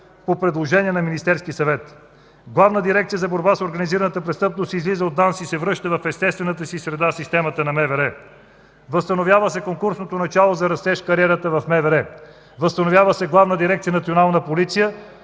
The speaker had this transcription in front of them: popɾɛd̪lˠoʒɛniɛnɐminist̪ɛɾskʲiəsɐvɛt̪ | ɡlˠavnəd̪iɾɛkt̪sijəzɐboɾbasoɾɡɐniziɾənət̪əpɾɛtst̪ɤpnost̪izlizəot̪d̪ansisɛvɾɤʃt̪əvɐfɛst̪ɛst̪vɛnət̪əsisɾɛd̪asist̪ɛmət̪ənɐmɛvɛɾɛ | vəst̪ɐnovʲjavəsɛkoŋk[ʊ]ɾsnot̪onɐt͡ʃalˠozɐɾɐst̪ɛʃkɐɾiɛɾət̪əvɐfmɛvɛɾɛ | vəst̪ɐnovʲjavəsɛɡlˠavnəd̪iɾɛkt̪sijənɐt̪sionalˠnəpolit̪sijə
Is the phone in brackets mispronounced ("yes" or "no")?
yes